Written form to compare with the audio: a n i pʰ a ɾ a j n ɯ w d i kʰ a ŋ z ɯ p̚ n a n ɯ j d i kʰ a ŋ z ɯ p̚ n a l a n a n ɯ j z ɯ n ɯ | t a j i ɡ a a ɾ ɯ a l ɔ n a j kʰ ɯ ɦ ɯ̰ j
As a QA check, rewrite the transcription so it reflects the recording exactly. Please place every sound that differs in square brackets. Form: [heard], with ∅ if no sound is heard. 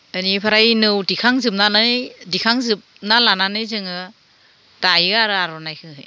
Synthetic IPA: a n i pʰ a ɾ a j n ɯ w d i kʰ a ŋ z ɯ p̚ n a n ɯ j d i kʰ a ŋ z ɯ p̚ n a l a n a n ɯ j z ɯ [ŋ] ɯ | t a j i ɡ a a ɾ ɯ a [ɾ] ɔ n a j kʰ ɯ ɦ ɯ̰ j